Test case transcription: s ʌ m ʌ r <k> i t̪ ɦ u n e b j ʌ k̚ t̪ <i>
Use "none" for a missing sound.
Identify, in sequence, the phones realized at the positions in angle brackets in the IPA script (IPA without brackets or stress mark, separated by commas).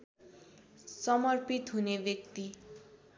p, i